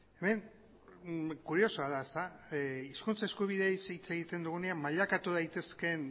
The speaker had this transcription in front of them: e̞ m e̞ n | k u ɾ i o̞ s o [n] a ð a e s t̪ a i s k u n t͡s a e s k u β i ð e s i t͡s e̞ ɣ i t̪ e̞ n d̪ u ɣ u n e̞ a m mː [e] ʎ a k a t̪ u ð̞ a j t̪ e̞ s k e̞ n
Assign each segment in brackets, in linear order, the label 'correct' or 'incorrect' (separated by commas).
incorrect, incorrect